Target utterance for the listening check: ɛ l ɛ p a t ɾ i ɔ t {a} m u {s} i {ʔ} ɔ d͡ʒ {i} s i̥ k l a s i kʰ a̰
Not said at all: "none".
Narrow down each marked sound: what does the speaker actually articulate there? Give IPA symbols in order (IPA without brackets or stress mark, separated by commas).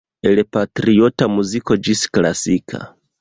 a, z, k, i